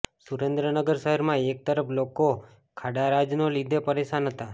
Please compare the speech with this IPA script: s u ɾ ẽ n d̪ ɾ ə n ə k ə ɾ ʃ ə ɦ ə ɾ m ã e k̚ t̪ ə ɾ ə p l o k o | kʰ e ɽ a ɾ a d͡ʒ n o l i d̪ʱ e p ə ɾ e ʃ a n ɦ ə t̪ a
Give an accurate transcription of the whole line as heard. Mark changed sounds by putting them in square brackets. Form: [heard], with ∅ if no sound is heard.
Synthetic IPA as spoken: s u ɾ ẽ n d̪ ɾ ə n ə [ɡ] ə ɾ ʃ ə ɦ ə ɾ m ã e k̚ t̪ ə ɾ ə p l o k o | kʰ [a] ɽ a ɾ a d͡ʒ n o l i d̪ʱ e p ə ɾ e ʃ a n ɦ ə t̪ a